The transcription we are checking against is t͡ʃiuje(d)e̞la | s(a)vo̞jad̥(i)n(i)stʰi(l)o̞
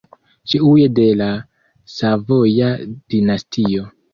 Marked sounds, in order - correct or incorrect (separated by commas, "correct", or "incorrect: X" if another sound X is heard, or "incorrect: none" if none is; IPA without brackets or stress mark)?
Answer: correct, correct, correct, incorrect: a, incorrect: none